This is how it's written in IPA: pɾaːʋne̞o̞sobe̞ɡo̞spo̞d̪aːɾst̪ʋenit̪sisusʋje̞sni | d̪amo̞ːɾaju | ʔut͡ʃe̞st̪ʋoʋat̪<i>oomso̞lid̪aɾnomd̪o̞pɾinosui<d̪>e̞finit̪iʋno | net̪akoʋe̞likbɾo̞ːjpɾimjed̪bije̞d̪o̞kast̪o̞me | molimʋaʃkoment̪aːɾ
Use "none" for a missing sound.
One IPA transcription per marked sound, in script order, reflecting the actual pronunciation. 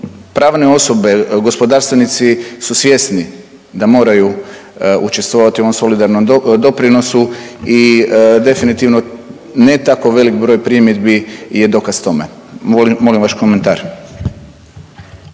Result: i, d̪

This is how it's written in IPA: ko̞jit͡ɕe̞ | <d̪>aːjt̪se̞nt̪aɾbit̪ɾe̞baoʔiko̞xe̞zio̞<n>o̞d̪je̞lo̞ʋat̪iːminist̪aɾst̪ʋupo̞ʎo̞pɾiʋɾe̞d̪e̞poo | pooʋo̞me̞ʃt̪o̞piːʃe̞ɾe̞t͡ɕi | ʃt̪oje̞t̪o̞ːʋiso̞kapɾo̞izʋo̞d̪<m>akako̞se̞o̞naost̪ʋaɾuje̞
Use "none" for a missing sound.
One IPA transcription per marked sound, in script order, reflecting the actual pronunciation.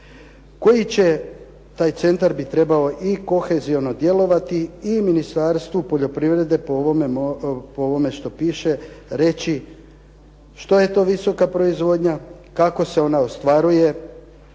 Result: t̪, n, ɲ

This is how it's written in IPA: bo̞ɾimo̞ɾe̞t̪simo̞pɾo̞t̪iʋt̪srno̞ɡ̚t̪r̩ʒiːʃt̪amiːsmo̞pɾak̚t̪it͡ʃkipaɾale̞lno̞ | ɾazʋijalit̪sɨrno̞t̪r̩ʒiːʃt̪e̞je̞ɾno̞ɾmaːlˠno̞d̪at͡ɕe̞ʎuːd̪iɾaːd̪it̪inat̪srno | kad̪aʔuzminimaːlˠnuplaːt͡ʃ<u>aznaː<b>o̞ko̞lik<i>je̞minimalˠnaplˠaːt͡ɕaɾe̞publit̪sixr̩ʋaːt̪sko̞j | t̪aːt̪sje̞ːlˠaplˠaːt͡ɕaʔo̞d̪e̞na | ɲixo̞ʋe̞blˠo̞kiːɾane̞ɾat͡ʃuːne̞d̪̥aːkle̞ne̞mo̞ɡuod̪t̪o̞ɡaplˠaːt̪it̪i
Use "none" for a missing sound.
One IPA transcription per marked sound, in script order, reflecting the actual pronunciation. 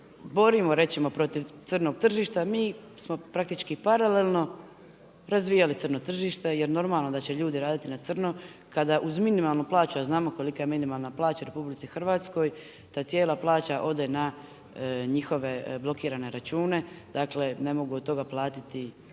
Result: u, m, a

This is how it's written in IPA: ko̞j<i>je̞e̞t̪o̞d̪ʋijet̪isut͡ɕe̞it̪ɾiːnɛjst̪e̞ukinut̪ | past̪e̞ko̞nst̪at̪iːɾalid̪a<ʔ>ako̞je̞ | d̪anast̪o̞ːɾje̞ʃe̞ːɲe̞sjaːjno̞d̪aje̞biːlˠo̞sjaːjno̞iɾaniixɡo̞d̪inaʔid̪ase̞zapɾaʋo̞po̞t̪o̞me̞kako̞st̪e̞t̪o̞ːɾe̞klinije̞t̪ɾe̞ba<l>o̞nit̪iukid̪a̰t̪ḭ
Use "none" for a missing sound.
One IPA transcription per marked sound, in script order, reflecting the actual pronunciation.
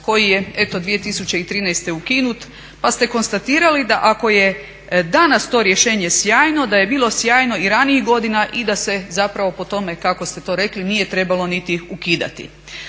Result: i, ʔ, l

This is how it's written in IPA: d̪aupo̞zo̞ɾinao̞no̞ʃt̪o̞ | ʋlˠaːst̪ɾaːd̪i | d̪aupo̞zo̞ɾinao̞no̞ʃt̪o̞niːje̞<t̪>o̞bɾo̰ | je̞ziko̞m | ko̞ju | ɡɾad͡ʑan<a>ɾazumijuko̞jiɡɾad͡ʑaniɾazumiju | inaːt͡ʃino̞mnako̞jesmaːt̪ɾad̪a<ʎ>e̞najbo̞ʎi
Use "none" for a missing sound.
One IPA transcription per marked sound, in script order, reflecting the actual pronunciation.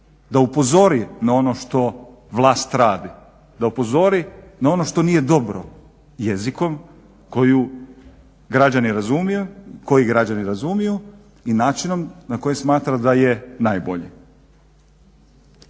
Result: d̪, i, j

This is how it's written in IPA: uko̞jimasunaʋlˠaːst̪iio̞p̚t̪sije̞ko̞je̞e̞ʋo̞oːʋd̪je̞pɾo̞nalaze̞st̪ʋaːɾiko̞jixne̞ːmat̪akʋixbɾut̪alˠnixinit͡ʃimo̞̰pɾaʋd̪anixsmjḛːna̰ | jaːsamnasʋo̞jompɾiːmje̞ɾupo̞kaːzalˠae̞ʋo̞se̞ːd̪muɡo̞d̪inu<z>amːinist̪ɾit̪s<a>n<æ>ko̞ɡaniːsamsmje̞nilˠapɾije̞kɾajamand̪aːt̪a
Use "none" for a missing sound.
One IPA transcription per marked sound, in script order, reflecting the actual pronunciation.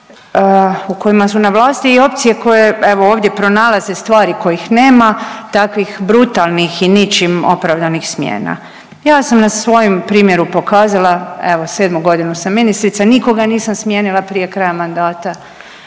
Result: s, a, i

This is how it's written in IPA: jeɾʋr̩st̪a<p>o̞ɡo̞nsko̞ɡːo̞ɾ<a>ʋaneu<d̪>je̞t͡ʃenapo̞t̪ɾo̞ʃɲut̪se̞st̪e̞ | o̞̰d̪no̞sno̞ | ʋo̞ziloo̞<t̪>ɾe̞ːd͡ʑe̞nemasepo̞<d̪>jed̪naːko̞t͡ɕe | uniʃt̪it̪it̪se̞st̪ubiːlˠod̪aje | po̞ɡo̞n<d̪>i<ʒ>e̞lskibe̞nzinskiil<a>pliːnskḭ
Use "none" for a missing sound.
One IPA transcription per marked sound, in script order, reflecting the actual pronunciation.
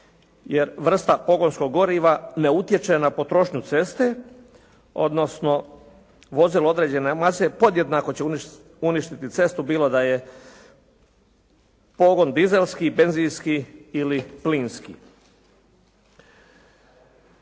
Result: p, i, t̪, d̪, d̪, d̪, z, i

